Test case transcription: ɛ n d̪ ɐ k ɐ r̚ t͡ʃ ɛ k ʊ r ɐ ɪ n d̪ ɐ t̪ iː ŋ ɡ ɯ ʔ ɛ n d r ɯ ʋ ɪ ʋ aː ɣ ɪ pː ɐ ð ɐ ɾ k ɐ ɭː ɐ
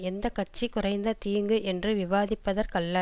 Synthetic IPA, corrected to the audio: ɛ n d̪ ɐ k ɐ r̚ t͡ʃ i k ʊ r ɐ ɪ n d̪ ɐ t̪ iː ŋ ɡ ɯ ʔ ɛ n d r ɯ ʋ ɪ ʋ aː ð ɪ pː ɐ ð ɐ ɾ k ɐ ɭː ɐ